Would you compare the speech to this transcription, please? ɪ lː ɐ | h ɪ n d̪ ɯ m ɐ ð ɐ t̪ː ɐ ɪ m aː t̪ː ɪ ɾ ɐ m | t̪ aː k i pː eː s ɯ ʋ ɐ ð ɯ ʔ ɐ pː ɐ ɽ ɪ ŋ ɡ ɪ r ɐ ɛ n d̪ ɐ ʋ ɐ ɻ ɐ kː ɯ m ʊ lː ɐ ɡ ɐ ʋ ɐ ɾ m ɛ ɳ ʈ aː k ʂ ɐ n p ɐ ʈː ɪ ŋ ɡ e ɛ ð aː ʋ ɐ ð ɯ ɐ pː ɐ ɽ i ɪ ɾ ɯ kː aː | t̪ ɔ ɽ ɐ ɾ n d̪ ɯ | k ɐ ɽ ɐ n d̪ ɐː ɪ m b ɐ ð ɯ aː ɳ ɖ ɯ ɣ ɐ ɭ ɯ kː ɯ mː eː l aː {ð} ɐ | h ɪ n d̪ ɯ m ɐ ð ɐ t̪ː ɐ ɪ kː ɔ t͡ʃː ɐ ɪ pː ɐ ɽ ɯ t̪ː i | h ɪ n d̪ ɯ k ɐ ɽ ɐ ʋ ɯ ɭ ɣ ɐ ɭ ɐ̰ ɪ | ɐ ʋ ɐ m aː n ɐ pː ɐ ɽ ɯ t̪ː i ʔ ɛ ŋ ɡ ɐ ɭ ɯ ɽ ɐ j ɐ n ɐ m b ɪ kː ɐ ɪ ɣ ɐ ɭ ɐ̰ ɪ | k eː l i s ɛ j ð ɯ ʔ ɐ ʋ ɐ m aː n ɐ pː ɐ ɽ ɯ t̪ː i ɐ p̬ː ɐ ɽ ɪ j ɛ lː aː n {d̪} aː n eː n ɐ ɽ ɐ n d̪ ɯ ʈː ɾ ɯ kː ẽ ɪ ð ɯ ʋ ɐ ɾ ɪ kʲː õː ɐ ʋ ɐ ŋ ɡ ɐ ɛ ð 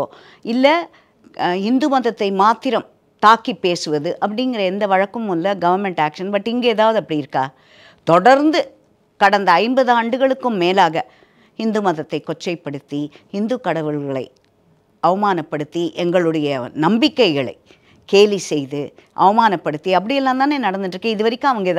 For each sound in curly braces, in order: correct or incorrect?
incorrect: ɣ, incorrect: t̪

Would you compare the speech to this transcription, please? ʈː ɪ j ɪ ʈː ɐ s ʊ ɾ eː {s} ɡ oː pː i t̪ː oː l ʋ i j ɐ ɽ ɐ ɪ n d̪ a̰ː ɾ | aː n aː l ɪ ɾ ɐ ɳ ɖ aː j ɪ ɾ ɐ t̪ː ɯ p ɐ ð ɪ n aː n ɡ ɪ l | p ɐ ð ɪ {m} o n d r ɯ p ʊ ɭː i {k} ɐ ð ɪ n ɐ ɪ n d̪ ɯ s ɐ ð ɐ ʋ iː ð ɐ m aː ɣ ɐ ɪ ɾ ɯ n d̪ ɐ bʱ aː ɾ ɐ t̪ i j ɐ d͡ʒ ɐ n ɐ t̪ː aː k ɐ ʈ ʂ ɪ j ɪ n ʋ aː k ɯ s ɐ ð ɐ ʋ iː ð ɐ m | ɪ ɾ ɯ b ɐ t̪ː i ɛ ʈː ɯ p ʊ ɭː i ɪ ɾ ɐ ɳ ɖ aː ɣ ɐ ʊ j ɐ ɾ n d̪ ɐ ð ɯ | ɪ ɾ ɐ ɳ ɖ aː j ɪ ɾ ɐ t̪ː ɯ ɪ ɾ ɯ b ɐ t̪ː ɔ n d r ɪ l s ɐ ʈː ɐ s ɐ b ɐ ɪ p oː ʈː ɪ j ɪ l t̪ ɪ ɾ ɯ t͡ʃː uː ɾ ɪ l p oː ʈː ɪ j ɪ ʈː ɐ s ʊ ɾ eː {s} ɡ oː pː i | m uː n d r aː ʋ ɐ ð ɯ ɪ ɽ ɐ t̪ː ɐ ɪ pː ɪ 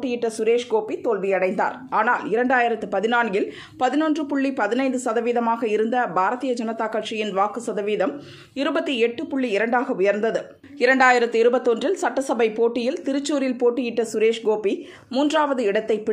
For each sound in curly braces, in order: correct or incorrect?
incorrect: ʂ, incorrect: n, incorrect: p, incorrect: ʂ

